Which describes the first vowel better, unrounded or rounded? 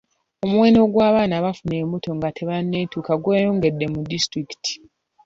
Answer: rounded